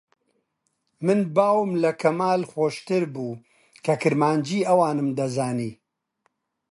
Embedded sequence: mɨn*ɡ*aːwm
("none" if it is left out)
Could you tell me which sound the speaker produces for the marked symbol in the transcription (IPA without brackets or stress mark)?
b